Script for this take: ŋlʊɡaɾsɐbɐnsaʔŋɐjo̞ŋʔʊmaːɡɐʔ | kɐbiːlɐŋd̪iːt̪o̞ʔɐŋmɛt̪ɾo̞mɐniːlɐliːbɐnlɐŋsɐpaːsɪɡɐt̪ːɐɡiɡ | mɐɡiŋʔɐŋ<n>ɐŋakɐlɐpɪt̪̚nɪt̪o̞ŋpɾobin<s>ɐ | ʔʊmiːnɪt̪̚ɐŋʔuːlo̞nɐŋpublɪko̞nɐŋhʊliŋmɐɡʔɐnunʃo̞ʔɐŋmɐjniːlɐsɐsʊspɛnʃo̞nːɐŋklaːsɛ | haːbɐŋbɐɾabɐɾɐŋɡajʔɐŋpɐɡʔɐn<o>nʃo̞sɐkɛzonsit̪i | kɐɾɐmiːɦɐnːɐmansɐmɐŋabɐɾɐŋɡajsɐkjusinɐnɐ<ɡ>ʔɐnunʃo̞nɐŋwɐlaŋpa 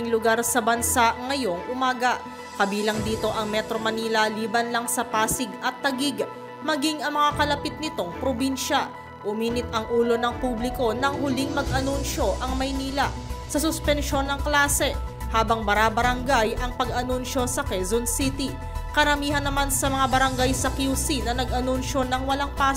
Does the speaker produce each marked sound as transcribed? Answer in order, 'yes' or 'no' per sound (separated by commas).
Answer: no, no, no, yes